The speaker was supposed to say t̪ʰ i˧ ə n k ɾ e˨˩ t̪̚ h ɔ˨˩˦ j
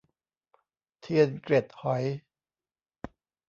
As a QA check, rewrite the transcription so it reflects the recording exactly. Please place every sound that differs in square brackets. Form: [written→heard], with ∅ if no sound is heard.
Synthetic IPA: t̪ʰ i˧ ə n k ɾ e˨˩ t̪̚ h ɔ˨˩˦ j